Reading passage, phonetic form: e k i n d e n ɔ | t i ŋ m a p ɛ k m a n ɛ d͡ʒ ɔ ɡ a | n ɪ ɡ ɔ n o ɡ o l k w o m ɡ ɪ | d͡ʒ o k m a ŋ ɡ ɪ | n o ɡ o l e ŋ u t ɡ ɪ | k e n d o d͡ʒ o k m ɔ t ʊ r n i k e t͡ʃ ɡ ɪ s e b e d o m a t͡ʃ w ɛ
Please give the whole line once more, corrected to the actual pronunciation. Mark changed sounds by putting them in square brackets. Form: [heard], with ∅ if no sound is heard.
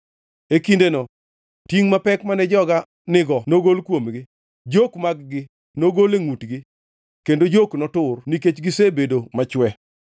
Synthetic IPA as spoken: e k i n d e n ɔ | t i ŋ m a p ɛ k m a n ɛ d͡ʒ ɔ ɡ a | n ɪ ɡ ɔ n o ɡ o l k w o m ɡ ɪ | d͡ʒ o k m a [ɡ] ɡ ɪ | n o ɡ o l e ŋ u t ɡ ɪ | k e n d o d͡ʒ o k [n] ɔ t ʊ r n i k e t͡ʃ ɡ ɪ s e b e d o m a t͡ʃ w ɛ